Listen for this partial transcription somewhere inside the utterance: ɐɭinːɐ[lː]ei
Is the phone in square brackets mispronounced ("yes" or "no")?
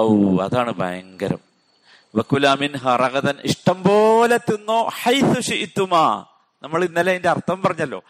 yes